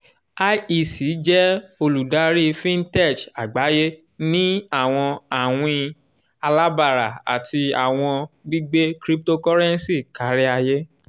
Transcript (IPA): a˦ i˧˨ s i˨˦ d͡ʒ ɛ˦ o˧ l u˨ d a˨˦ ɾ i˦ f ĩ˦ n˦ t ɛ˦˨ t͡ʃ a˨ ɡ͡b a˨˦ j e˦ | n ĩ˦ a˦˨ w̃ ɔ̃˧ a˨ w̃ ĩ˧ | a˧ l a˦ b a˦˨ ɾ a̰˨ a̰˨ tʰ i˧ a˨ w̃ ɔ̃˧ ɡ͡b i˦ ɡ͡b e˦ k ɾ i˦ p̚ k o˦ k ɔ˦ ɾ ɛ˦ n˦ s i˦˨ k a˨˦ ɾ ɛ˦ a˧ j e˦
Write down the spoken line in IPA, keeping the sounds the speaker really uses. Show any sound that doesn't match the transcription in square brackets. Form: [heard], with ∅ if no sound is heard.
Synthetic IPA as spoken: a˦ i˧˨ s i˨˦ d͡ʒ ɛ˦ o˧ l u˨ d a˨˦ ɾ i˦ f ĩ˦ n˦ t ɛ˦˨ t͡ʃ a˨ ɡ͡b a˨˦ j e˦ | n ĩ˦ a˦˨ w̃ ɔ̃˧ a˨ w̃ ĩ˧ | a˧ l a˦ b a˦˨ ɾ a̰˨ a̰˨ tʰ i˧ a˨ w̃ ɔ̃˧ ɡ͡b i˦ ɡ͡b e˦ k ɾ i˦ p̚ [t] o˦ k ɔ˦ ɾ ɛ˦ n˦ s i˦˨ k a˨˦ ɾ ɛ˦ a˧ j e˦